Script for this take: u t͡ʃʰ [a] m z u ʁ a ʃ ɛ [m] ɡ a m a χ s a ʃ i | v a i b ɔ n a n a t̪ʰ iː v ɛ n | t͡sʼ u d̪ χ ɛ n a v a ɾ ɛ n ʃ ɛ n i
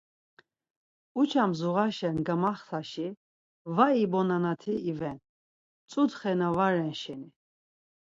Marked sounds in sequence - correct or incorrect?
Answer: correct, incorrect: n

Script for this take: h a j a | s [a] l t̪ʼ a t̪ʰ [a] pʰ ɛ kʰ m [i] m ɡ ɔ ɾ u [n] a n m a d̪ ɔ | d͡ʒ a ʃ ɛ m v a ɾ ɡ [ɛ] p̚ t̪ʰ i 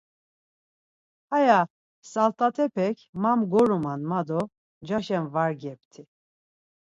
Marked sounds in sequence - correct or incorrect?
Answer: correct, incorrect: ɛ, incorrect: a, incorrect: m, correct

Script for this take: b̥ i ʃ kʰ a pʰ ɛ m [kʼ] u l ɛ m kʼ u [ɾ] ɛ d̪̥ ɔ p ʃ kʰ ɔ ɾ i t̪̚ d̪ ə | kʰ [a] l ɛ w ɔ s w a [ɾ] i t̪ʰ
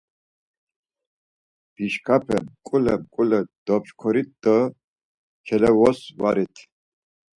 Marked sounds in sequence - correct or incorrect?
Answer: correct, incorrect: l, incorrect: ɛ, correct

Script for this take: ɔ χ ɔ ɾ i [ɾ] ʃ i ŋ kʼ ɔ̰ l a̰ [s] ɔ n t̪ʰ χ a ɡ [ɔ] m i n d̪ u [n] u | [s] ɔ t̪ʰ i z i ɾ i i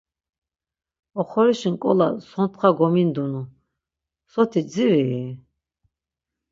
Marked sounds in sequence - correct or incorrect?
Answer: incorrect: none, correct, correct, correct, correct

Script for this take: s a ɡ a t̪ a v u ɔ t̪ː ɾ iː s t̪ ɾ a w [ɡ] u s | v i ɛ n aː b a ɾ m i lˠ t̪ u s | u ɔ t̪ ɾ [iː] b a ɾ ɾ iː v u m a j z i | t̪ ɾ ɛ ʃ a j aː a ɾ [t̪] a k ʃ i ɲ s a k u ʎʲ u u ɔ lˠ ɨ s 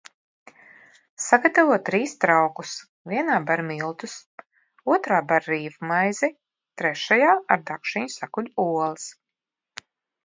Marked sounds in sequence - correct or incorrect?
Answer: incorrect: k, incorrect: aː, incorrect: d̪

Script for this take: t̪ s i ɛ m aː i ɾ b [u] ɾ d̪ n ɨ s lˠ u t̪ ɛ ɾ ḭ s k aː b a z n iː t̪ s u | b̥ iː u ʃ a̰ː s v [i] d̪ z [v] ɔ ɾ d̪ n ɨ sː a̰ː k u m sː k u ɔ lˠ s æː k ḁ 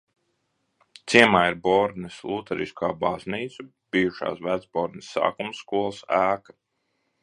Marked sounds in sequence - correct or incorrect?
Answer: incorrect: ɔ, incorrect: æ, incorrect: b

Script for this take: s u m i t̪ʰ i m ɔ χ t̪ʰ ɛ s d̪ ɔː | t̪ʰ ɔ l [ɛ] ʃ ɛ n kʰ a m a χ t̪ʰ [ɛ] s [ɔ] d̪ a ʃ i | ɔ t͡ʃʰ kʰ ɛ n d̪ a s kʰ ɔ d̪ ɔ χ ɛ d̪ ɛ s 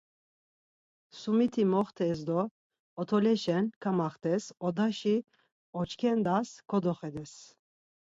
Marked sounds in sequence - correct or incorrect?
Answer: correct, correct, correct

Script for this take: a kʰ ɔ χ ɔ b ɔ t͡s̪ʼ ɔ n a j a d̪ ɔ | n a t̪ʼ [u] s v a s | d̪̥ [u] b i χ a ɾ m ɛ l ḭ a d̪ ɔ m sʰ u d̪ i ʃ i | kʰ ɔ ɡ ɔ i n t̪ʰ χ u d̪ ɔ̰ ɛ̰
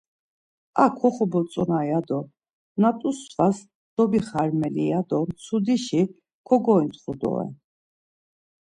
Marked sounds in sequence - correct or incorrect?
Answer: correct, incorrect: ɔ

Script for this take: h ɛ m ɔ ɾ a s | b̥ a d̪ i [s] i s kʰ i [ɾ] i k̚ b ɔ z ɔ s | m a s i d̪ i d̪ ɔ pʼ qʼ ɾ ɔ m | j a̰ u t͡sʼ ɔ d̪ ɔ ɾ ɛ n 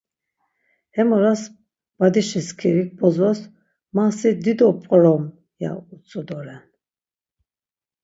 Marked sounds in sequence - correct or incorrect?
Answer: incorrect: ʃ, correct

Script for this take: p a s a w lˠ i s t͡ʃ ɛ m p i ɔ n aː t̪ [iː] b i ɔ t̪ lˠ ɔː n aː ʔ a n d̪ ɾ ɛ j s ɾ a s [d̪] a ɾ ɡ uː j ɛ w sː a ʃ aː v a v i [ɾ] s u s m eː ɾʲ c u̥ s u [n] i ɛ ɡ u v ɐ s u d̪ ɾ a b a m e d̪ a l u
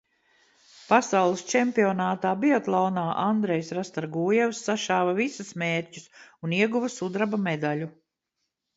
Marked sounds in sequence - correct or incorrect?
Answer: incorrect: aː, incorrect: t̪, incorrect: none, correct

